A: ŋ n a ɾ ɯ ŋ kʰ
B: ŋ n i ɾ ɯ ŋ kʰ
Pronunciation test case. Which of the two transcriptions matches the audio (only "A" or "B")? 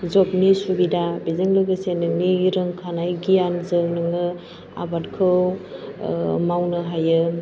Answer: B